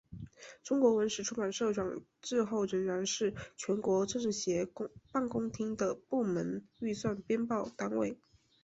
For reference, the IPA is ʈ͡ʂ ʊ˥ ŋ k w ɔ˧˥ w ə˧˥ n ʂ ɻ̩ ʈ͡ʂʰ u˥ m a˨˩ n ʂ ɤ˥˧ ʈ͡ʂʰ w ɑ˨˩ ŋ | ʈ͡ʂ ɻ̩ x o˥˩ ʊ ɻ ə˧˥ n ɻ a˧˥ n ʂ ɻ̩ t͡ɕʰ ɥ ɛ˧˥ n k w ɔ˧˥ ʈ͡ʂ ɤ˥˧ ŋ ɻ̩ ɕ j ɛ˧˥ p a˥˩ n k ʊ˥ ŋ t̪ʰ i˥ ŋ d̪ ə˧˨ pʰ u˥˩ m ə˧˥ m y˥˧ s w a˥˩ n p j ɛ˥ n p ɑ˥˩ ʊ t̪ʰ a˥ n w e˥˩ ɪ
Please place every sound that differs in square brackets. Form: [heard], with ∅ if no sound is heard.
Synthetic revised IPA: ʈ͡ʂ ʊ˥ ŋ k w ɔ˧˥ w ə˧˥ n ʂ ɻ̩ ʈ͡ʂʰ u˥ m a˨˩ n ʂ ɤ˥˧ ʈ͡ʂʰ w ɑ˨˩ ŋ | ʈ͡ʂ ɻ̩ x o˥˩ ʊ ɻ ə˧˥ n ɻ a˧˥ n ʂ ɻ̩ t͡ɕʰ ɥ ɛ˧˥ n k w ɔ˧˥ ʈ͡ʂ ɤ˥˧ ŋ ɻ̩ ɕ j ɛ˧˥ p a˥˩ n k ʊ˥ ŋ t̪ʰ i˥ ŋ d̪ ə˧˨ [p] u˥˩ m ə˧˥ [n] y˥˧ s w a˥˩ n p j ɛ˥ n p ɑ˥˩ ʊ [t̪] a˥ n w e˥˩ ɪ